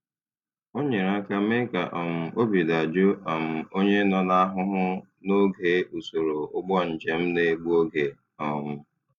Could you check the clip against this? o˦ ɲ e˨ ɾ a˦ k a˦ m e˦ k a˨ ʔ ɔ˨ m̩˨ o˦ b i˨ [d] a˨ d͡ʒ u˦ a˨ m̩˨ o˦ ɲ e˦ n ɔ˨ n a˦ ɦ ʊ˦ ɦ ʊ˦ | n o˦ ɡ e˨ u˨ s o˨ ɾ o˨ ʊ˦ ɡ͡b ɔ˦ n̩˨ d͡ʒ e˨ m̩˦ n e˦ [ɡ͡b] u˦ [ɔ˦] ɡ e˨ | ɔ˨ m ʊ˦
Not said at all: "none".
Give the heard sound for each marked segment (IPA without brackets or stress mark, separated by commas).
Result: d, ɡ͡b, o˦